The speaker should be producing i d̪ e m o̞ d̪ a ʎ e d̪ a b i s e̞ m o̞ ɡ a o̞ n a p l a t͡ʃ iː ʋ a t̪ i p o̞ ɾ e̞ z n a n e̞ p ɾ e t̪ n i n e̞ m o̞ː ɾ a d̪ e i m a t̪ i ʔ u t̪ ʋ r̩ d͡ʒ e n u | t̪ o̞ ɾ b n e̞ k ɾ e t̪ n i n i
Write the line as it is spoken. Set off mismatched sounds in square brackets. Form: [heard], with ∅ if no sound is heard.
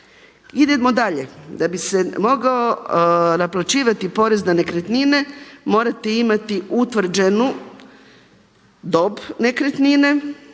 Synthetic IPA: i d̪ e m o̞ d̪ a ʎ e d̪ a b i s e̞ m o̞ ɡ a o̞ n a p l a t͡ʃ iː ʋ a t̪ i p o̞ ɾ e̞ z n a n e̞ [k] ɾ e t̪ n i n e̞ m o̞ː ɾ a [t̪] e i m a t̪ i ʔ u t̪ ʋ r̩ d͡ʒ e n u | [d̪] o̞ [∅] b n e̞ k ɾ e t̪ n i n [e]